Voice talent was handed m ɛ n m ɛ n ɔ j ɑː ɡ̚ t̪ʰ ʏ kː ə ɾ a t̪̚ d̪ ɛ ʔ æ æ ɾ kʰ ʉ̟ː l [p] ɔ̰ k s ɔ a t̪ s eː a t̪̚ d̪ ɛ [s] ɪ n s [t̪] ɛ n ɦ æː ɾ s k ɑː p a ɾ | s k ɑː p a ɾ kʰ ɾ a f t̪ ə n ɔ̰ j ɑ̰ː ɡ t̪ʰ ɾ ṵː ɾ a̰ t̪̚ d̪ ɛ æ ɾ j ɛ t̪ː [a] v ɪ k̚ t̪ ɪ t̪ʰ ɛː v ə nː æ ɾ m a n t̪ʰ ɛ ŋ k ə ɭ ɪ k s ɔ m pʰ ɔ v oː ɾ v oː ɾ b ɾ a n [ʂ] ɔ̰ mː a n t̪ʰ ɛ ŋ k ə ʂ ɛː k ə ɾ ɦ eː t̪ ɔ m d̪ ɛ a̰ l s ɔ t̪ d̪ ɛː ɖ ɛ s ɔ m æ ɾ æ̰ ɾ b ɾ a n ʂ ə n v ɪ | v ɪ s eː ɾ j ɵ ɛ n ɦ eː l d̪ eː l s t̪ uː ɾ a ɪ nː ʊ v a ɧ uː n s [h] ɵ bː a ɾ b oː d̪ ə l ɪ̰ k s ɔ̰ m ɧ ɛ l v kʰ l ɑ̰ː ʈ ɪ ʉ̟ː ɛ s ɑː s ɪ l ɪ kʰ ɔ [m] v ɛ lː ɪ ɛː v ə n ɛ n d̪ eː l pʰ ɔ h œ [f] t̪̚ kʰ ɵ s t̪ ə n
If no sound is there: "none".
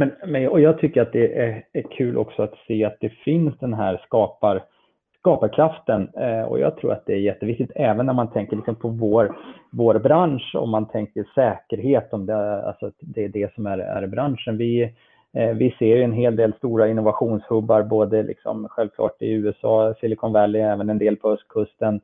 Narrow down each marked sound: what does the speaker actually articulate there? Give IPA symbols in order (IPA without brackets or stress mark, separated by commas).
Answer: ʔ, f, d̪, ə, ʂ, h, n, s